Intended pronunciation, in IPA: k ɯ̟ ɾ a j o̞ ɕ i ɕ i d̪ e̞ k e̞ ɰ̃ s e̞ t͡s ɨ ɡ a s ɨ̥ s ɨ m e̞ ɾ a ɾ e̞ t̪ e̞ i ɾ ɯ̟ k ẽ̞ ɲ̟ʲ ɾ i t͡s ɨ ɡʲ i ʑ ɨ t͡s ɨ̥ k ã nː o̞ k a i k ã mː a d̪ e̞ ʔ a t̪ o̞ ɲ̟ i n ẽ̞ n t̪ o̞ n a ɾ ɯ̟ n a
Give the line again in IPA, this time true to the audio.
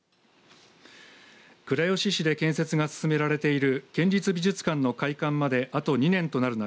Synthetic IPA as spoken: k ɯ̟ ɾ a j o̞ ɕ i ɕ i d̪ e̞ k ẽ̞ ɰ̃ s e̞ t͡s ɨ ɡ a s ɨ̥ s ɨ m e̞ ɾ a ɾ e̞ t̪ e̞ i ɾ ɯ̟ k ẽ̞ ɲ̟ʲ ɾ i t͡s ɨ bʲ i ʑ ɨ t͡s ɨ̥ k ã nː o̞ k a i k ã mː a d̪ e̞ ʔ a t̪ o̞ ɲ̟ i n ẽ̞ n t̪ o̞ n a ɾ ɯ̟ n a